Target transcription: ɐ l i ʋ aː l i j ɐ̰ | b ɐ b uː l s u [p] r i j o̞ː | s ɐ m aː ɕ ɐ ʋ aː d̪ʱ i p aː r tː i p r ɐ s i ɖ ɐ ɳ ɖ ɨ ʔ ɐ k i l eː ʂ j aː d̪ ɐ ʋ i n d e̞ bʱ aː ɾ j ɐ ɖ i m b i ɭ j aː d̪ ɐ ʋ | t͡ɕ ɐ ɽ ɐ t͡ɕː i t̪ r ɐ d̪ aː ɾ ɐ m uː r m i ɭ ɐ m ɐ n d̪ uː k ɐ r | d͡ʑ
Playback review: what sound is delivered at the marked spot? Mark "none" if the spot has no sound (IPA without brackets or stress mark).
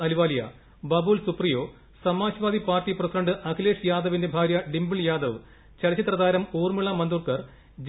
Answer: p